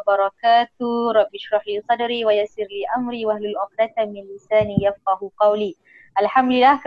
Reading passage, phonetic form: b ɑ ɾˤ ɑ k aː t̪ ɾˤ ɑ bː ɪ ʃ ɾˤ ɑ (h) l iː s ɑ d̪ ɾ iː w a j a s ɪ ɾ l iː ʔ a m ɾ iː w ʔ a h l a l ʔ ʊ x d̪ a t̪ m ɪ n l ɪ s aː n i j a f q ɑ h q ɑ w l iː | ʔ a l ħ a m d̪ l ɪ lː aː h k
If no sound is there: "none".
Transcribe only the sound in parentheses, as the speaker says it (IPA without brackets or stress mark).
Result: ħ